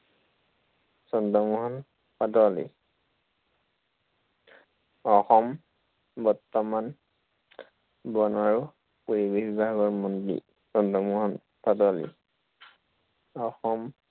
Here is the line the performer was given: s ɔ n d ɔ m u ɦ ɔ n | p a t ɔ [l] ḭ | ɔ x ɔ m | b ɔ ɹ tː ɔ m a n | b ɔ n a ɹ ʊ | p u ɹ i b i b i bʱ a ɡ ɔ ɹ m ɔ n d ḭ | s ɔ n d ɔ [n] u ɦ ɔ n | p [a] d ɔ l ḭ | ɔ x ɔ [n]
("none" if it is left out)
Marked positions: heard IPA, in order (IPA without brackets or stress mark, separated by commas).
l, m, a, m